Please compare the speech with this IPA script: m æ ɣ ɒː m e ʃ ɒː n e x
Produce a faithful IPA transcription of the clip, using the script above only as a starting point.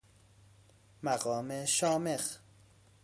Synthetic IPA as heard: m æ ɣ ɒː m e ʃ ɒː m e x